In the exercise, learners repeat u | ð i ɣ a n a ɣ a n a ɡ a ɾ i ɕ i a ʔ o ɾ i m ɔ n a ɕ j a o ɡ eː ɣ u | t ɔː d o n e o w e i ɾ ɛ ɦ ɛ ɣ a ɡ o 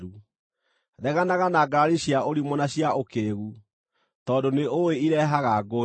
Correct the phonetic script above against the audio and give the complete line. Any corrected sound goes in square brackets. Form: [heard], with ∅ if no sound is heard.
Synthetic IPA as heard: u | ð [ɛ] ɣ a n a ɣ a n a ɡ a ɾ i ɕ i a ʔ o ɾ i m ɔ n a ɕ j a o [k] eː ɣ u | t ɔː d o n e o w e i ɾ ɛ ɦ [a] ɣ a ɡ o